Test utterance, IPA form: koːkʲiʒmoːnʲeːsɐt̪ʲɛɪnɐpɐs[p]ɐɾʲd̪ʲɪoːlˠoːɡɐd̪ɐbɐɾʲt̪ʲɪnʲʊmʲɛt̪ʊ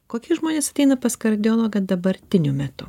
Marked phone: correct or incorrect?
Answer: incorrect